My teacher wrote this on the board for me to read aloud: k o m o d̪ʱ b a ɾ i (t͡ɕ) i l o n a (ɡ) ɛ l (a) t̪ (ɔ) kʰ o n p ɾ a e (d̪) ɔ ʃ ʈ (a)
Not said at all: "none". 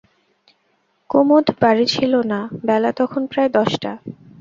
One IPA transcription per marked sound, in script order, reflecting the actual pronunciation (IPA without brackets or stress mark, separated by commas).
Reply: t͡ɕʰ, b, a, ɔ, d̪, a